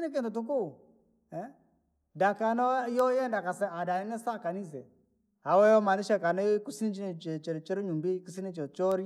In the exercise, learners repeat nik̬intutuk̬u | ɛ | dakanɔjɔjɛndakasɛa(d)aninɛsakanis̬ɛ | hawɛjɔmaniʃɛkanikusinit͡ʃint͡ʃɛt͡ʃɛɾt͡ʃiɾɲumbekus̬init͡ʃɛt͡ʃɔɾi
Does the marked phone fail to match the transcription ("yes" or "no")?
no